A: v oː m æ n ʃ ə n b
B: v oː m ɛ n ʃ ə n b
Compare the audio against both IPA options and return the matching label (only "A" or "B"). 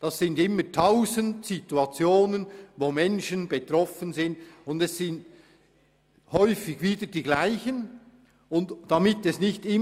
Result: B